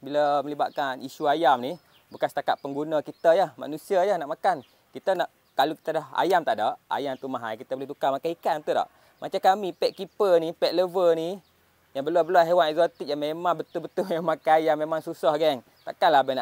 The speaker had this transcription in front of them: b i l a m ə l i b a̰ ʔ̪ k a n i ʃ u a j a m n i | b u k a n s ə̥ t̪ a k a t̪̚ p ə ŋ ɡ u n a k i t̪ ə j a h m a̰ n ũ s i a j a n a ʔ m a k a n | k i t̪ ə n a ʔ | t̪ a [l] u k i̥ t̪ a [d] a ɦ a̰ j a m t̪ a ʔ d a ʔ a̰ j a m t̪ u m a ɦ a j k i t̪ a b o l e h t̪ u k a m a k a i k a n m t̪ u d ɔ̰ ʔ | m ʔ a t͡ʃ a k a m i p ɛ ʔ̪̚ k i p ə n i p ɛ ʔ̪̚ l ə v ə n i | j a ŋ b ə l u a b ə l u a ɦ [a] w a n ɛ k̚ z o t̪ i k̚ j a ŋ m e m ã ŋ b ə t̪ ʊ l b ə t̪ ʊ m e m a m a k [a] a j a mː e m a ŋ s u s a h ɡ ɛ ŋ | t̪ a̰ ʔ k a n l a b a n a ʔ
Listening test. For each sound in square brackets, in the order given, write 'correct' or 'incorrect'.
correct, correct, incorrect, correct

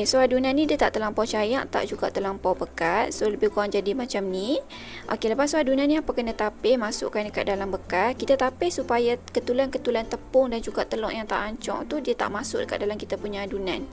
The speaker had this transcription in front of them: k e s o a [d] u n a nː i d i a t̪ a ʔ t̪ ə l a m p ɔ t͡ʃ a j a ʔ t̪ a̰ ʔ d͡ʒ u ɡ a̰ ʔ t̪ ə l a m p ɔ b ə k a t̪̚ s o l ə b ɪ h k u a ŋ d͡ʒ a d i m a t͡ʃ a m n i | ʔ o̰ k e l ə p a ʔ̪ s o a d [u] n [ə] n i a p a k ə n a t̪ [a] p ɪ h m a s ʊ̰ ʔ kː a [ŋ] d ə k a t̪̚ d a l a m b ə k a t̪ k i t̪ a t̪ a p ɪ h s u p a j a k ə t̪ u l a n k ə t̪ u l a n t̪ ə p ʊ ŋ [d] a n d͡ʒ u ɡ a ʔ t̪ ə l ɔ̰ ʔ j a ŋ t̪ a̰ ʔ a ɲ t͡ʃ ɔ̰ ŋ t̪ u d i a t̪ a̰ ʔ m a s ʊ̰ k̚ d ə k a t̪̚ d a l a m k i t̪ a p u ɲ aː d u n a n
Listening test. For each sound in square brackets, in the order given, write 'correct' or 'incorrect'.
correct, correct, incorrect, correct, incorrect, correct

